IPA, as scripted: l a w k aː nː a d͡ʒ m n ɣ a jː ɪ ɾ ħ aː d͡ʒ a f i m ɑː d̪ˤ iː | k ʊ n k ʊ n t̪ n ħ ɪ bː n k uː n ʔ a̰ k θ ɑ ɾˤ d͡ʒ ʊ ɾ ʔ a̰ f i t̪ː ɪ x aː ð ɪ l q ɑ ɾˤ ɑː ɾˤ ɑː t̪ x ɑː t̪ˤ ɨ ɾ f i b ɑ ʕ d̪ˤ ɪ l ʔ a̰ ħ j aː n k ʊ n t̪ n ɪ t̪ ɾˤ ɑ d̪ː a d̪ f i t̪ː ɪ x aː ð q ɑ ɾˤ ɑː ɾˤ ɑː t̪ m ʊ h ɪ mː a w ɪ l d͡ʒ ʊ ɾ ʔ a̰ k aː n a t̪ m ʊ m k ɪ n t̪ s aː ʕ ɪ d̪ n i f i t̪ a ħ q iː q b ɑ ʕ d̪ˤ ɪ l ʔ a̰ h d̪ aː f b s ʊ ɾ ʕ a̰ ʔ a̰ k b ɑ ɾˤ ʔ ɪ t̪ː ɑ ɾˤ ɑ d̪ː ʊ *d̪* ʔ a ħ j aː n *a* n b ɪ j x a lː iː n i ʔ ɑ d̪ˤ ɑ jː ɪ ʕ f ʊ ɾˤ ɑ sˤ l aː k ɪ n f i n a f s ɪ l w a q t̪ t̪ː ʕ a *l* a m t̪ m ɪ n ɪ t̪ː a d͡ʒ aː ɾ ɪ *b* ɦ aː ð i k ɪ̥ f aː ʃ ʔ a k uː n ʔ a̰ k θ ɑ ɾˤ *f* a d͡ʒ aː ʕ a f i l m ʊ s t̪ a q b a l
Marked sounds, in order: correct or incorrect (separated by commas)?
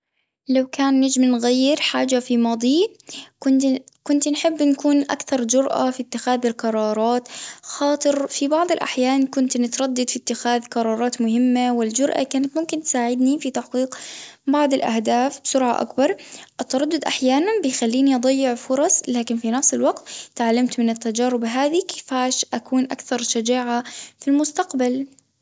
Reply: correct, correct, incorrect, correct, incorrect